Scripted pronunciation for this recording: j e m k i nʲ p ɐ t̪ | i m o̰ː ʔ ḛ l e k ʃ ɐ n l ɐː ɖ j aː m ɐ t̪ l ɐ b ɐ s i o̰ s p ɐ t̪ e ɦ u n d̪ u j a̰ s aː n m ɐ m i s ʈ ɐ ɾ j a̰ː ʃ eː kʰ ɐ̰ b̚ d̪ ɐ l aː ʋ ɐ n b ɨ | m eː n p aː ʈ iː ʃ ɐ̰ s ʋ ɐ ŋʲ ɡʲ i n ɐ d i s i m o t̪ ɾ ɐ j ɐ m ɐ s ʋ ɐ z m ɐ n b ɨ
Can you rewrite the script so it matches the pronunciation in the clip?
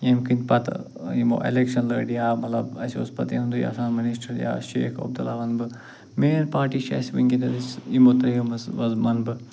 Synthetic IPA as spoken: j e m k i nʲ p ɐ t̪ | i m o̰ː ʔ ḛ l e k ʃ ɐ n l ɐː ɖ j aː m ɐ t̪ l ɐ b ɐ s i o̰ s p ɐ t̪ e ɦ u n d̪ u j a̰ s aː n m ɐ n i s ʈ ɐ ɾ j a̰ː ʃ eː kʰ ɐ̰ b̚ d̪ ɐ l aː ʋ ɐ n b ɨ | m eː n p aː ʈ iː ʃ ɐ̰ s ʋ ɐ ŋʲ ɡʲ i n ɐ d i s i m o t̪ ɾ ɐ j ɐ m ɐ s ʋ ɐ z m ɐ n b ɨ